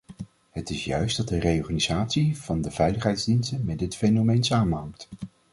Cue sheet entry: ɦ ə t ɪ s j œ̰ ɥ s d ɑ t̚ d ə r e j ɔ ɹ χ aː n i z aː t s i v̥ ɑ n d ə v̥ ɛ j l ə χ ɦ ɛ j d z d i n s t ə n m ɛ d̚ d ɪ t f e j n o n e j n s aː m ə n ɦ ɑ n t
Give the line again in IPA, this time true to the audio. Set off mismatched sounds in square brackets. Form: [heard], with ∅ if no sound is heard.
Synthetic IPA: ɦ ə t ɪ s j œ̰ ɥ s d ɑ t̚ d ə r e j ɔ ɹ χ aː n i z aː t s i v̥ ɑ n d ə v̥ ɛ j l ə χ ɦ ɛ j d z d i n s t ə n m ɛ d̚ d ɪ t f e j n o [m] e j n s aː m ə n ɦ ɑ [ŋ] t

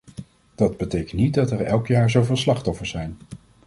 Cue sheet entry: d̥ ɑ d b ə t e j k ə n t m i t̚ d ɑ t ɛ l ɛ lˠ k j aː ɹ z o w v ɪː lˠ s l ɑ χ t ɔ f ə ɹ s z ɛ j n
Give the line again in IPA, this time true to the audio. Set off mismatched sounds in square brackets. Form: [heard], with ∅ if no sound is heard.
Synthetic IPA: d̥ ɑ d b ə t e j k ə n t [n] i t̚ d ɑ t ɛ [ɹ] ɛ lˠ k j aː ɹ z o w v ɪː lˠ s l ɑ χ t ɔ f ə ɹ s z ɛ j n

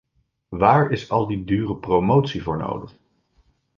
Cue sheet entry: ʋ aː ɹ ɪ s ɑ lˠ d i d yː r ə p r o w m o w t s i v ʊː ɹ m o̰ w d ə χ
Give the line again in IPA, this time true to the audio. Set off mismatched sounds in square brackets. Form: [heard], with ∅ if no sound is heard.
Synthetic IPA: ʋ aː ɹ ɪ s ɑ lˠ d i d yː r ə p r o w m o w t s i v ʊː ɹ [n] o̰ w d ə χ

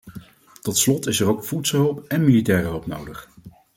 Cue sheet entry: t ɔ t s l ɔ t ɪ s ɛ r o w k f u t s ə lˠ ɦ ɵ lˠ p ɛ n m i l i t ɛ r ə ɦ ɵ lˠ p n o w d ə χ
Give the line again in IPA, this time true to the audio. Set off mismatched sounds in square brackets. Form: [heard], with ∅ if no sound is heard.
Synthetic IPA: t ɔ t s l ɔ t ɪ s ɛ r o w k f u t s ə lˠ ɦ ɵ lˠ p ɛ n m i l i t [ɛː] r ə ɦ ɵ lˠ p n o w d ə χ

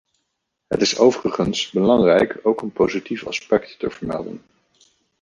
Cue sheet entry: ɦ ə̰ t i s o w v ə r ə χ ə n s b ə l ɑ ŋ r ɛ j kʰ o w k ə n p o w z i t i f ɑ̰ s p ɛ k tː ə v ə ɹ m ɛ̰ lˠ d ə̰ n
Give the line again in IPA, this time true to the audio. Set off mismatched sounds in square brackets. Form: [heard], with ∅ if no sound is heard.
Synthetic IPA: ɦ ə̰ t [ɪ] s o w v ə r ə χ ə n s b ə l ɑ ŋ r ɛ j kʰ o w k ə n p o w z i t i f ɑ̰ s p ɛ k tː ə v ə ɹ m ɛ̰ lˠ d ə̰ n

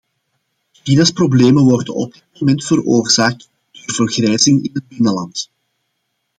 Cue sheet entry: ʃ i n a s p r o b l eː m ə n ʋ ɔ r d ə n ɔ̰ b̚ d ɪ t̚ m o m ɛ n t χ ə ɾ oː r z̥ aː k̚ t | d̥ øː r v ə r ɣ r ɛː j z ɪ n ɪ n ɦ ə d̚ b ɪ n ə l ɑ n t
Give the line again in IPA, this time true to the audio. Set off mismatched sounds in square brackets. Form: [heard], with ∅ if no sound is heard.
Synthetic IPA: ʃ i n a s p r o b l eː m ə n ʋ ɔ r d ə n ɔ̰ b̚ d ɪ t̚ m o m ɛ n t [f] ə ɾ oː r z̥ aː k̚ t | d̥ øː r v ə r ɣ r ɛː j z ɪ [ŋ] ɪ n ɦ ə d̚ b ɪ n ə l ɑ n t

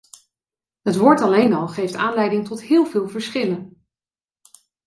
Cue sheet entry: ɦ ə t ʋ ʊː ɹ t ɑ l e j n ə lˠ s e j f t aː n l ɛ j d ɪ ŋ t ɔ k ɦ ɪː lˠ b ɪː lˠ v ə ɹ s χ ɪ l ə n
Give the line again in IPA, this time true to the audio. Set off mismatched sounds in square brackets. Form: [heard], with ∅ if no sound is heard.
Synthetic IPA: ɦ ə t ʋ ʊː ɹ t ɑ l e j n [ɑ] lˠ [χ] e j f t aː n l ɛ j d ɪ ŋ t ɔ [t] ɦ ɪː lˠ [v] ɪː lˠ v ə ɹ s χ ɪ l ə n

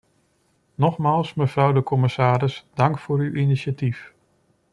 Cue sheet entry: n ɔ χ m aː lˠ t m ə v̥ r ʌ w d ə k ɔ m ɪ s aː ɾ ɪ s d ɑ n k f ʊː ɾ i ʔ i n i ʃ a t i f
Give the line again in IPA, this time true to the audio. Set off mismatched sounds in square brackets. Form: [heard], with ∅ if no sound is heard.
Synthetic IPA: n ɔ χ m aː lˠ [s] m ə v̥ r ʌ w d ə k ɔ m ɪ s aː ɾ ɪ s d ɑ [ŋ] k f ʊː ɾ [y] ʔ i n i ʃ a t i f

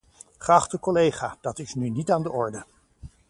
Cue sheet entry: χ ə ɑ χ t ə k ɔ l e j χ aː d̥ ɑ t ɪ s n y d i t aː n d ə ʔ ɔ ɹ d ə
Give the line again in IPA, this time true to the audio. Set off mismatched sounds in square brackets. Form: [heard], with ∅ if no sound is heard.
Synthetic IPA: χ ə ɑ χ t ə k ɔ l e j χ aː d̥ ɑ t ɪ s n y [n] i t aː n d ə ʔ ɔ ɹ d ə

